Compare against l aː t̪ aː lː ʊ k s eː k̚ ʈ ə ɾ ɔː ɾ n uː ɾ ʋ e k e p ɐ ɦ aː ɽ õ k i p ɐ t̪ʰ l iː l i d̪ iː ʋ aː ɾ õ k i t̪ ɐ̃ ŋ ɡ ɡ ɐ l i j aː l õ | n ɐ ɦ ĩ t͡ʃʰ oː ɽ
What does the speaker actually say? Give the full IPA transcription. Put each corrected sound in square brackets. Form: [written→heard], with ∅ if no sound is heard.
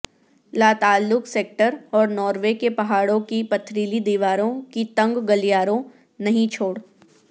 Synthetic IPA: l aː t̪ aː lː ʊ k s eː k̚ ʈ ə ɾ ɔː ɾ n [uː→ɔː] ɾ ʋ e k e p ɐ ɦ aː ɽ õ k i p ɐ t̪ʰ [l→ɾ] iː l i d̪ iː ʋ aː ɾ õ k i t̪ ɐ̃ ŋ ɡ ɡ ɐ l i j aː [l→ɾ] õ | n ɐ ɦ ĩ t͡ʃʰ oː ɽ